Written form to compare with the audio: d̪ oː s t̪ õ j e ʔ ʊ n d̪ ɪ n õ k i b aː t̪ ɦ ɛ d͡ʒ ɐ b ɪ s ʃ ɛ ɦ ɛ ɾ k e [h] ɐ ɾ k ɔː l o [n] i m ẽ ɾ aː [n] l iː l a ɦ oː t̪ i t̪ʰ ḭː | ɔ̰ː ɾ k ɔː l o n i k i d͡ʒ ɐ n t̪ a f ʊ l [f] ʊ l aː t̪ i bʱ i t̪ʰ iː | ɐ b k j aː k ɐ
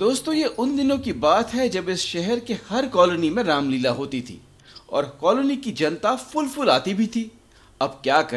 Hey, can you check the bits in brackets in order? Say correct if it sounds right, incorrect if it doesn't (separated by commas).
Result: correct, correct, incorrect, correct